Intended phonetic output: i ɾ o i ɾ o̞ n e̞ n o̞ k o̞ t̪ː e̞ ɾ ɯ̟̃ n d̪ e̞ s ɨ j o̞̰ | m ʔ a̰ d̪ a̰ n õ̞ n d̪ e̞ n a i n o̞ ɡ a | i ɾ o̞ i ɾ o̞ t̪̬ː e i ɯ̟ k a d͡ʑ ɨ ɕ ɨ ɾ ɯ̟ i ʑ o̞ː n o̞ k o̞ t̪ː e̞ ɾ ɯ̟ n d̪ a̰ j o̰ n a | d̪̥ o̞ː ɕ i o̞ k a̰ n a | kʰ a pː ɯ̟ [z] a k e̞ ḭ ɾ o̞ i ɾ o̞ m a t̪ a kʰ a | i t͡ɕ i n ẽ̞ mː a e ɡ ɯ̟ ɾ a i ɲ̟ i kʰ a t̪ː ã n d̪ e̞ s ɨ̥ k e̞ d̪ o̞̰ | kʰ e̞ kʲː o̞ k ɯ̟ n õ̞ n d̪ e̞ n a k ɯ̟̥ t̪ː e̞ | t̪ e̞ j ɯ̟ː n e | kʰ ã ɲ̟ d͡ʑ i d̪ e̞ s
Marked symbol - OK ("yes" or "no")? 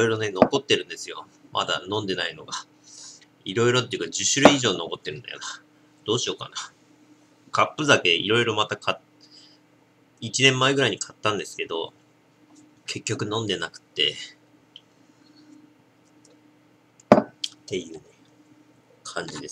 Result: yes